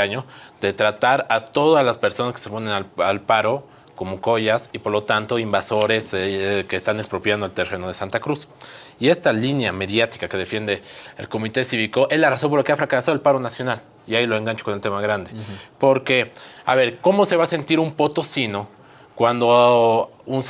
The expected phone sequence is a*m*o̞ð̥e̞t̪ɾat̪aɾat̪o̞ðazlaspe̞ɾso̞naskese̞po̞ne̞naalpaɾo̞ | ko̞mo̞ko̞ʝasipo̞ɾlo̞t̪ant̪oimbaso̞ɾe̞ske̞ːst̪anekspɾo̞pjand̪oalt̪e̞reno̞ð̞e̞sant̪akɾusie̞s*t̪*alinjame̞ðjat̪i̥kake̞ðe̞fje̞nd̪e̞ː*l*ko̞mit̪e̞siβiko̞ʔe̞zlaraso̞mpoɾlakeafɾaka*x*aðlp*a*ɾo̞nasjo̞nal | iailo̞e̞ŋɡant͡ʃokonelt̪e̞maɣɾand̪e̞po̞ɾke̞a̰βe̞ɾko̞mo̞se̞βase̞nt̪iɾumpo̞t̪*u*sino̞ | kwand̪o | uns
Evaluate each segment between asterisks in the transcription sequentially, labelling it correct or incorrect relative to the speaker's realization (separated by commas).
incorrect, correct, correct, incorrect, correct, incorrect